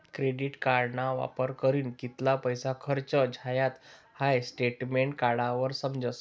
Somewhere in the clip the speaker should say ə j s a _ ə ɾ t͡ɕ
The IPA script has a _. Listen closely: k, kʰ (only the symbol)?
kʰ